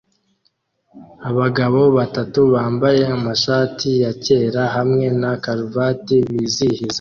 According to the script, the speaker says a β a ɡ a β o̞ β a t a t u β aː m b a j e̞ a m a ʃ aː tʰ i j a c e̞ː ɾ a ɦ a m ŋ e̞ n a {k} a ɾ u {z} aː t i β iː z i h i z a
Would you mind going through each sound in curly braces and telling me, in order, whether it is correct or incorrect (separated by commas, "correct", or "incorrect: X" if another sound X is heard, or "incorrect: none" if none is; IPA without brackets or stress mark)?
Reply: correct, incorrect: v